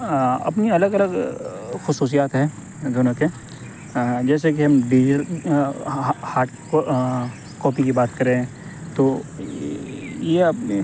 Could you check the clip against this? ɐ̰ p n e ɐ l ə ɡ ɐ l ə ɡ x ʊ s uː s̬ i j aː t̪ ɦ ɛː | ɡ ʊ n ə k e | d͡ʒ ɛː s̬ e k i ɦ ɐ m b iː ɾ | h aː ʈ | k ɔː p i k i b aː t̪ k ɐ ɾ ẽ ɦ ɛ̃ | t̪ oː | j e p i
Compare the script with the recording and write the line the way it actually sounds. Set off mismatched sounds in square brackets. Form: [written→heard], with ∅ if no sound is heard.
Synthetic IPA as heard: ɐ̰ p n [e→i] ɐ l ə ɡ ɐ l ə ɡ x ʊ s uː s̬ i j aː t̪ ɦ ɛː | ɡ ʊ n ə k e | d͡ʒ ɛː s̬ e k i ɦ ɐ m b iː ɾ | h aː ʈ | k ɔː p i k i b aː t̪ k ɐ ɾ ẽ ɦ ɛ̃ | t̪ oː | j e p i